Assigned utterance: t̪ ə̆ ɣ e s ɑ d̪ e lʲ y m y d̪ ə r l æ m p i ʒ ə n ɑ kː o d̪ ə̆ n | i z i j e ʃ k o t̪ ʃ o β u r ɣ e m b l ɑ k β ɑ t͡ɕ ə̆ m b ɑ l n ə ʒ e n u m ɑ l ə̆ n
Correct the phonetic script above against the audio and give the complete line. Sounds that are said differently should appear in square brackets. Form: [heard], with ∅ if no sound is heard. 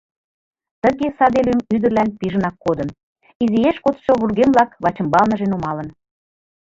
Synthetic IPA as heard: t̪ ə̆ ɣ e s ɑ d̪ e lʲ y m y d̪ ə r l æ [n] p i ʒ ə n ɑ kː o d̪ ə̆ n | i z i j e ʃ k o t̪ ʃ o β u r ɣ e m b l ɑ k β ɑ t͡ɕ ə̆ m b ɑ l n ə ʒ e n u m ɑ l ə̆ n

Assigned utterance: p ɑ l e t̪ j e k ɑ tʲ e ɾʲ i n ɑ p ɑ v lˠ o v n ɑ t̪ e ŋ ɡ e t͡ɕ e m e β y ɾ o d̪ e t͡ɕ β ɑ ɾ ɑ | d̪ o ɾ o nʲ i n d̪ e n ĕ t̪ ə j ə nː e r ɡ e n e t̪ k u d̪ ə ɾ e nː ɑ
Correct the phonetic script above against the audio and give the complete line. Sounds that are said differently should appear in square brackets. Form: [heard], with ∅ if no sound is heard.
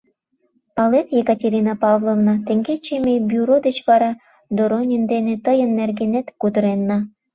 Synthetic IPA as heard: p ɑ l e t̪ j e k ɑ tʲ e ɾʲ i n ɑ p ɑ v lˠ o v n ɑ t̪ e ŋ ɡ e t͡ɕ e m e [b] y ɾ o d̪ e t͡ɕ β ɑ ɾ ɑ | d̪ o ɾ o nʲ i n d̪ e n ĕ t̪ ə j ə nː e r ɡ e n e t̪ k u d̪ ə ɾ e nː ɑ

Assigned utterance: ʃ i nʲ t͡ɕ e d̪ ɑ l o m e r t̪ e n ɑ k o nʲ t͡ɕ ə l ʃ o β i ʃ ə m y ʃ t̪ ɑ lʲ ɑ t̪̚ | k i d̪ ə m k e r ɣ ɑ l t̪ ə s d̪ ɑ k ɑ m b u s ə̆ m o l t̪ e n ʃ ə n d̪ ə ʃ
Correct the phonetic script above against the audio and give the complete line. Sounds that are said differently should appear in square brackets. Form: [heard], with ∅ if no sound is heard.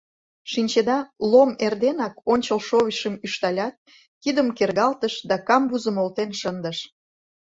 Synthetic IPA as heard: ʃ i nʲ t͡ɕ e d̪ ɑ l o m e r [d̪] e n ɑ k o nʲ t͡ɕ ə l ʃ o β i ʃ ə m y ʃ t̪ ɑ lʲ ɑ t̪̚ | k i d̪ ə m k e r ɣ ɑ l t̪ ə [ʃ] d̪ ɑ k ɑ m b u [z] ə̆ m o l t̪ e n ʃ ə n d̪ ə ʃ

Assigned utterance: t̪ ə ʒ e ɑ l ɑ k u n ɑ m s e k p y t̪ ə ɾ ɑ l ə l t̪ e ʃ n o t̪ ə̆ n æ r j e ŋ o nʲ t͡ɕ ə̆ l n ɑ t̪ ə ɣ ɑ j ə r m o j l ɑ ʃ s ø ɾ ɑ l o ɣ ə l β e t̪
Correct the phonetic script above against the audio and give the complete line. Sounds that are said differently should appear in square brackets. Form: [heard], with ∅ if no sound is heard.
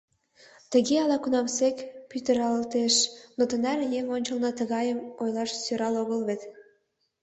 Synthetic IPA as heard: t̪ ə [ɣ] e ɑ l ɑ k u n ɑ m s e k p y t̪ ə ɾ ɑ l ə l t̪ e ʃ n o t̪ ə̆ n æ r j e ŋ o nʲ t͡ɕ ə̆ l n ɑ t̪ ə ɣ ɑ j ə [∅] m o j l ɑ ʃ s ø ɾ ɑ l o ɣ ə l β e t̪

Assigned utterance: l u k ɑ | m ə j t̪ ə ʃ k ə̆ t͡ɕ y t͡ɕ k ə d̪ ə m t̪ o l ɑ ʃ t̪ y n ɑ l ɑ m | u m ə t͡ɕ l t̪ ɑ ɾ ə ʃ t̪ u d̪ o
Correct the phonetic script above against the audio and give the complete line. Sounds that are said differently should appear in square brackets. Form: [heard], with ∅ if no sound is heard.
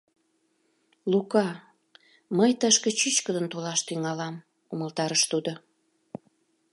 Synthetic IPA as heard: l u k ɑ | m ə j t̪ ə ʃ k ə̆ t͡ɕ y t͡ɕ k ə d̪ ə [n] t̪ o l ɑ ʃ t̪ y [ŋ] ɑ l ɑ m | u m ə [∅] l t̪ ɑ ɾ ə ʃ t̪ u d̪ o

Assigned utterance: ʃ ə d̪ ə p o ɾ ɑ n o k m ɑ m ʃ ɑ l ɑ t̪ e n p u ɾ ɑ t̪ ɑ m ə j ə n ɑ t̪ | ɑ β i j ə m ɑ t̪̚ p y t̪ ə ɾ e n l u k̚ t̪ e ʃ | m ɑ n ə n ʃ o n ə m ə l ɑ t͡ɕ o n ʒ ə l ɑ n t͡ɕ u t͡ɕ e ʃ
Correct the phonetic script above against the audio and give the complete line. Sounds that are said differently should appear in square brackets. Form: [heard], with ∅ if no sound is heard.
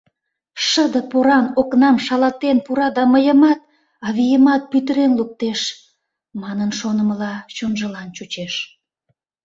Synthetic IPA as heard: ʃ ə d̪ ə p o ɾ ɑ n o k [n] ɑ m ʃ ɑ l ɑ t̪ e n p u ɾ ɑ [d̪] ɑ m ə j ə [m] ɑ t̪ | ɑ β i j ə m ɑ t̪̚ p y t̪ ə ɾ e n l u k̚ t̪ e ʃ | m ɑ n ə n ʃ o n ə m ə l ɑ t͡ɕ o n ʒ ə l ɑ n t͡ɕ u t͡ɕ e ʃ

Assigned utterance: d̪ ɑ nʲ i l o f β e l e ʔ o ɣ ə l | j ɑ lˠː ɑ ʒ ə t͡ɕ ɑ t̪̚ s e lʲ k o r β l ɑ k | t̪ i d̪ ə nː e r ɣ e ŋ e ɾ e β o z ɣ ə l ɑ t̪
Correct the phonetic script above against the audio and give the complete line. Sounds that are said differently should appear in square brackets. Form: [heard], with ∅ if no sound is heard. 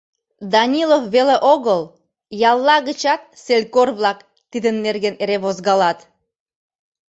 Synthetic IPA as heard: d̪ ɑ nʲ i l o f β e l e ʔ o ɣ ə l | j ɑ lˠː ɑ [ɣ] ə t͡ɕ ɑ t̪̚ s e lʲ k o r β l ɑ k | t̪ i d̪ ə nː e r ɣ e [n] e ɾ e β o z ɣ [ɑ] l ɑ t̪

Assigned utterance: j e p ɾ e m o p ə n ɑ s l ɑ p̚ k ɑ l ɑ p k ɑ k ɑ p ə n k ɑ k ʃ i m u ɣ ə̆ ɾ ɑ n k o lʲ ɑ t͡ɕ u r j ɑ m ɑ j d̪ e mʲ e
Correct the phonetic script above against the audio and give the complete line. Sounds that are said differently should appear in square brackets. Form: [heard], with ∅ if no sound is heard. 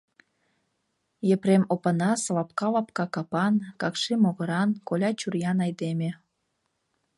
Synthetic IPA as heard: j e p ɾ e m o p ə n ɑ s l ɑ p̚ k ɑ l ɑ p k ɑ k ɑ p [ɑ] n k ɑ k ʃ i m [o] ɣ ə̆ ɾ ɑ n k o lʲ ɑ t͡ɕ u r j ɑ [n] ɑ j d̪ e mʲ e

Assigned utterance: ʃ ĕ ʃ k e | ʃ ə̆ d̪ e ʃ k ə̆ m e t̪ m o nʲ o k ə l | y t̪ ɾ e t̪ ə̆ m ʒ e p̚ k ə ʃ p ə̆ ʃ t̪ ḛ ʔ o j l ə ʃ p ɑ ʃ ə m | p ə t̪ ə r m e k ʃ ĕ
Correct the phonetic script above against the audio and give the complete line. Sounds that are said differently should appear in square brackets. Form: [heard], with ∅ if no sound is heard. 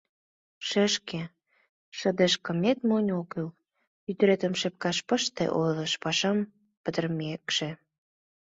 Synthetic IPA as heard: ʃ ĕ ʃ k e | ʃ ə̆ d̪ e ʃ k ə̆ m e t̪ m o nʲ o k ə l | y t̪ ɾ e t̪ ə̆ m [ʃ] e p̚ k [ɑ] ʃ p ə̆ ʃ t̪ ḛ ʔ o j l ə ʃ p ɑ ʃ [ɑ] m | p ə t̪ ə r m e k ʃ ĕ

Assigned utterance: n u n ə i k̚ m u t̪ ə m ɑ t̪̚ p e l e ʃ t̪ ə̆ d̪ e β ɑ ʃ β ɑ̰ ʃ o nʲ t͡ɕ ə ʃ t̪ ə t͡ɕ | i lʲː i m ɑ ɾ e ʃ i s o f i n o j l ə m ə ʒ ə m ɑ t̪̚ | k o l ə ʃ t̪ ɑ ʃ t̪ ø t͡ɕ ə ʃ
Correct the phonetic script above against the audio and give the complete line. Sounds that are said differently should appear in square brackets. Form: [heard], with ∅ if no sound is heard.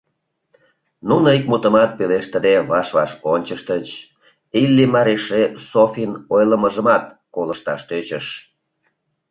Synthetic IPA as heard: n u n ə i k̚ m u t̪ ə m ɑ t̪̚ p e l e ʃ t̪ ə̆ d̪ e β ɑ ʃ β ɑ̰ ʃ o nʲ t͡ɕ ə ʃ t̪ ə t͡ɕ | i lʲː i m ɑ ɾ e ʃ [e] s o f i n o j l ə m ə ʒ ə m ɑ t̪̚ | k o l ə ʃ t̪ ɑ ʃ t̪ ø t͡ɕ ə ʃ

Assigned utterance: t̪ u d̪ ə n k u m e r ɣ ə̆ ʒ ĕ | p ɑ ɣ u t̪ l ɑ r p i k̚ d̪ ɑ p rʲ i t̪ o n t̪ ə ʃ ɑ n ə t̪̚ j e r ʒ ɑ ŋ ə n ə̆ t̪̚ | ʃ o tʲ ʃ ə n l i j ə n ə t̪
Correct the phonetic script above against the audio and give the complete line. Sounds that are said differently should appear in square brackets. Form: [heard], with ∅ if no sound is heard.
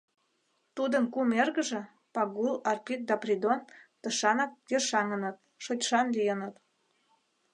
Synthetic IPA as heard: t̪ u d̪ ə n k u m e r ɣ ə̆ ʒ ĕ | p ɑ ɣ u [∅] l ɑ r p i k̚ d̪ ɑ p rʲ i [d̪] o n t̪ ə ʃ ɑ n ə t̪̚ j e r [ʃ] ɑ ŋ ə n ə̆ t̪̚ | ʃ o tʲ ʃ [ɑ] n l i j ə n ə t̪

